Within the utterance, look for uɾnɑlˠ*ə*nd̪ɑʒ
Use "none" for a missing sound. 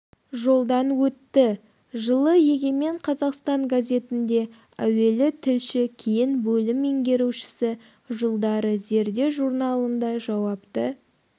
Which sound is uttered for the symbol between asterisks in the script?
ə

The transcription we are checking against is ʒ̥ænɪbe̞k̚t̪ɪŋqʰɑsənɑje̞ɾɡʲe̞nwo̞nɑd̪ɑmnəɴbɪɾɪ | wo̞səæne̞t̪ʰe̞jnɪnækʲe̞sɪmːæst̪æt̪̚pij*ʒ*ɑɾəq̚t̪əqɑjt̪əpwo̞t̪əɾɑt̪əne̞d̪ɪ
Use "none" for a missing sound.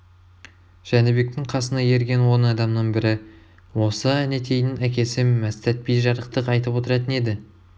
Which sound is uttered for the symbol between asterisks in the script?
ʒ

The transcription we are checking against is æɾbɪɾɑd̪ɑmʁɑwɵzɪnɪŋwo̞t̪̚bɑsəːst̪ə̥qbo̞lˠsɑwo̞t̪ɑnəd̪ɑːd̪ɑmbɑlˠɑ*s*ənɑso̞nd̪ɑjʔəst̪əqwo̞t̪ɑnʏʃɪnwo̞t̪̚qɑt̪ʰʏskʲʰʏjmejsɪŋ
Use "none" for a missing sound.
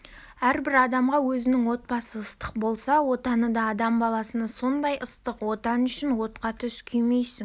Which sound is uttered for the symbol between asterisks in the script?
s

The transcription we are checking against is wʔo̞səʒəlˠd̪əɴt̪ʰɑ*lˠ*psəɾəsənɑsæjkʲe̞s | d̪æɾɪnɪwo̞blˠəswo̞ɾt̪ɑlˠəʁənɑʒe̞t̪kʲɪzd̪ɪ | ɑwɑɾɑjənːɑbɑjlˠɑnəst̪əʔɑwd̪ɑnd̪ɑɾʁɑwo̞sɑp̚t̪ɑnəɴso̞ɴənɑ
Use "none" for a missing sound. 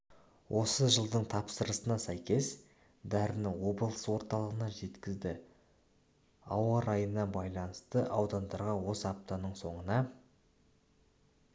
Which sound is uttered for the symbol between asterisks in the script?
none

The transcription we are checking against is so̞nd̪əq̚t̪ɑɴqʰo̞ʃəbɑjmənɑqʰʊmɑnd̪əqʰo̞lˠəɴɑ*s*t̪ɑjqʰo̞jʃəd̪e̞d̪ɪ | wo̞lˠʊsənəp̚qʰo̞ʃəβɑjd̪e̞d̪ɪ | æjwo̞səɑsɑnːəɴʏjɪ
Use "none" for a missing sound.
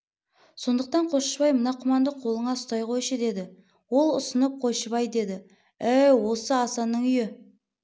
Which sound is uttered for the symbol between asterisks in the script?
s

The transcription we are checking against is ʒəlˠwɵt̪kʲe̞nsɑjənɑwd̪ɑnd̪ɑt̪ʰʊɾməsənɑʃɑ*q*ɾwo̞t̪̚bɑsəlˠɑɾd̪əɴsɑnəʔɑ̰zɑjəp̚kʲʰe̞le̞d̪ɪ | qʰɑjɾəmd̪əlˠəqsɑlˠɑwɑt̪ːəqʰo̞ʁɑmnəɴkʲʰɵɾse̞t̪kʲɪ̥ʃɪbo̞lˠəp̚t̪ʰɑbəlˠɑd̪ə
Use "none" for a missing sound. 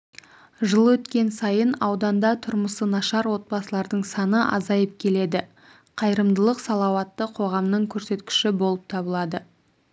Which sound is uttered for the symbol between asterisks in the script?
none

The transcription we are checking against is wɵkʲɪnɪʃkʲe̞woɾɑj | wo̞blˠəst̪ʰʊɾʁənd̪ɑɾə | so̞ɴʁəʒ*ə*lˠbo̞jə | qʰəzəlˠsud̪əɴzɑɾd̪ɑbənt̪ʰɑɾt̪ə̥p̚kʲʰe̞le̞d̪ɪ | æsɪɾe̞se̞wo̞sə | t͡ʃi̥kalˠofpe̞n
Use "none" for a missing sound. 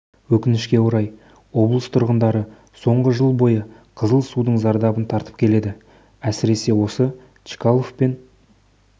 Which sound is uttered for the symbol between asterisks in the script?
ə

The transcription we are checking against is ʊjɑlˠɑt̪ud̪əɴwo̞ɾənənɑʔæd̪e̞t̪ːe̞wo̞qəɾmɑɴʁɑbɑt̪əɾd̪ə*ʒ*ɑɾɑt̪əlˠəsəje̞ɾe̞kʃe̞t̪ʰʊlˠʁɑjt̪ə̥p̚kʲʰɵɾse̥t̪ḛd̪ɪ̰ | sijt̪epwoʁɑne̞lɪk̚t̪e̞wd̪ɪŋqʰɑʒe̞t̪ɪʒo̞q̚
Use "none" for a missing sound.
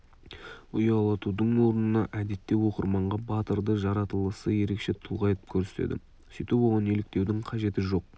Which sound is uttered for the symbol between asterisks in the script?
ʒ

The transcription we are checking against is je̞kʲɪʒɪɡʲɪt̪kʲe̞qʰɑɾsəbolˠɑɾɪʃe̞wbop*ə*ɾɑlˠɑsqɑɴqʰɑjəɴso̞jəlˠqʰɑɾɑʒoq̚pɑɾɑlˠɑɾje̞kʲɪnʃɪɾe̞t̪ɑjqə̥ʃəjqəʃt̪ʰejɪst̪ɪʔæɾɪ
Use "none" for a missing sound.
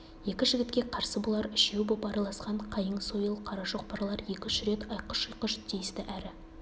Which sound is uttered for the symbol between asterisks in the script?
ɑ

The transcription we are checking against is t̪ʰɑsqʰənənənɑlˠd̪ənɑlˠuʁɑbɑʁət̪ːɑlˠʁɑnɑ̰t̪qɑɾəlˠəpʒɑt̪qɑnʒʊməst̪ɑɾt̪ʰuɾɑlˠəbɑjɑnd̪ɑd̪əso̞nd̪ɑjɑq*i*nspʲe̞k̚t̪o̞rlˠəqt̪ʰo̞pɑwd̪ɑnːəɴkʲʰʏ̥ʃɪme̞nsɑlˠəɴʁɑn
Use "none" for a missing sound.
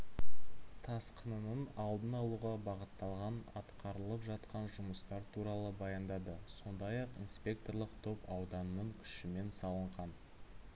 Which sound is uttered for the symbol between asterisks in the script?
i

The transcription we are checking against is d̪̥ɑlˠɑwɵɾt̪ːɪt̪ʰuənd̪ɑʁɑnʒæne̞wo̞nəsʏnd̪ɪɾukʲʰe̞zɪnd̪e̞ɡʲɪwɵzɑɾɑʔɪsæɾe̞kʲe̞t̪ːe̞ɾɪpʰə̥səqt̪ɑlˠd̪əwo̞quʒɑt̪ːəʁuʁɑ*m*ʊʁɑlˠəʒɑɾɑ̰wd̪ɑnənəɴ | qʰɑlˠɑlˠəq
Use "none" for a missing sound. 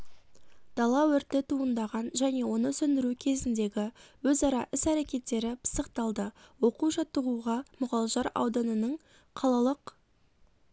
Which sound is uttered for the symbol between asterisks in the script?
m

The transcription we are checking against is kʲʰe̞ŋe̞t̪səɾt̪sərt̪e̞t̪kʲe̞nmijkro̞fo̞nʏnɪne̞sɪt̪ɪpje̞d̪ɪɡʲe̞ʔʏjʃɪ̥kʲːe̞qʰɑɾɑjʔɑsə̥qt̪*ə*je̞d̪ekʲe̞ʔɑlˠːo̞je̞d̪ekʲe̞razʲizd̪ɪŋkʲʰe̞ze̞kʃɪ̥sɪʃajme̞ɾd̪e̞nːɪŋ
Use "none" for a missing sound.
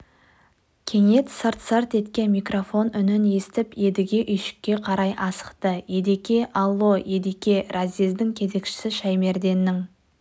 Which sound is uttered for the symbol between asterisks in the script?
ə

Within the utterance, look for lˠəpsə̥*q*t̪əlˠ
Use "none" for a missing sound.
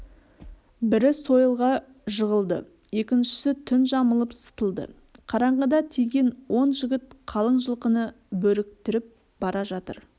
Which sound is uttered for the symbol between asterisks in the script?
none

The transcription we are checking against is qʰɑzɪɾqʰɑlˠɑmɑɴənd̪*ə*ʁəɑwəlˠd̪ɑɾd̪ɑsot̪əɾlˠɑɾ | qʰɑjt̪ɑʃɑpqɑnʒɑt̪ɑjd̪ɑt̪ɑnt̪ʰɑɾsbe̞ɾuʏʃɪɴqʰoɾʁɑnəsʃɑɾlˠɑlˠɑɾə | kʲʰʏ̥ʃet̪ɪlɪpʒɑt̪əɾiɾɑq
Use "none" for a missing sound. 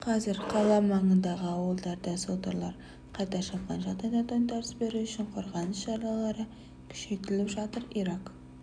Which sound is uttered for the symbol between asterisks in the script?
ɑ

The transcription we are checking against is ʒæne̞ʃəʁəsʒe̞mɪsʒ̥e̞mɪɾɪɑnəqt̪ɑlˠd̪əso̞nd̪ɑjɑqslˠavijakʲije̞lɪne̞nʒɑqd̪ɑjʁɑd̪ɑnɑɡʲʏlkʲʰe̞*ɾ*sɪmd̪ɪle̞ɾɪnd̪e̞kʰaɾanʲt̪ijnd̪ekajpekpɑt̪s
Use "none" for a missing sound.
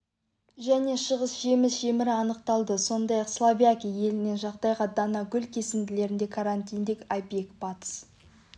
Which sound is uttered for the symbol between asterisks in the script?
none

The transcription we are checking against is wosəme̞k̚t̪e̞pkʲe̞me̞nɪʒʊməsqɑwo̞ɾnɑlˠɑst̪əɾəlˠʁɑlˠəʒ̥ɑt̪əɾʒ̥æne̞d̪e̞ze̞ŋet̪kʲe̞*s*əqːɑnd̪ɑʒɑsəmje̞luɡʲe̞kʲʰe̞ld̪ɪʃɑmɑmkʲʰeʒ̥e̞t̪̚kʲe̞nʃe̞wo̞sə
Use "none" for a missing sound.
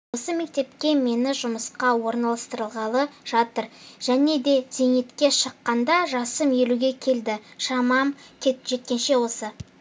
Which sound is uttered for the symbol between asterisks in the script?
ʃ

